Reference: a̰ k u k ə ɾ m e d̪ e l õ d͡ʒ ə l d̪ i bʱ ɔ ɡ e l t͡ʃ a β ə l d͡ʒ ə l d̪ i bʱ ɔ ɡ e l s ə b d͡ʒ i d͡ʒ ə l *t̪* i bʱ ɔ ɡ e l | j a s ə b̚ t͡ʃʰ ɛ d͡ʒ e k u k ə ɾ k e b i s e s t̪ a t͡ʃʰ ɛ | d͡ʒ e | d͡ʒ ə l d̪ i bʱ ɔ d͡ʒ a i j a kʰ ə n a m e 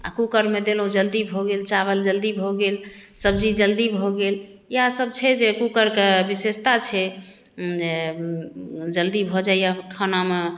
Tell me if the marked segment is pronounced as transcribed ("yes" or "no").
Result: no